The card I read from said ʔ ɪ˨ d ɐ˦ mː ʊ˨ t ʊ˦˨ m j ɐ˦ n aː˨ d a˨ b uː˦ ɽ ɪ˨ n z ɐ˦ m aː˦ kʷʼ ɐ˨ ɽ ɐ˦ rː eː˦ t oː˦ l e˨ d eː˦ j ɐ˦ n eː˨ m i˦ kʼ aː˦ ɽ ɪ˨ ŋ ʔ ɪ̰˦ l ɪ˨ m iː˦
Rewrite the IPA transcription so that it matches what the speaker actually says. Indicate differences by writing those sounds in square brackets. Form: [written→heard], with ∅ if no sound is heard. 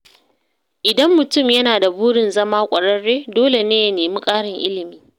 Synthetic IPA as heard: ʔ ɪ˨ d ɐ˦ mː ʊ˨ t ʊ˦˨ m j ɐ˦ n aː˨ d a˨ b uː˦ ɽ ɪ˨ n z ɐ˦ m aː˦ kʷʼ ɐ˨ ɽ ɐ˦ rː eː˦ [t→d] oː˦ l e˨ [d→n] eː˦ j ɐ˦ n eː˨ m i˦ kʼ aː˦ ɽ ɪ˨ ŋ ʔ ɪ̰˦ l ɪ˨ m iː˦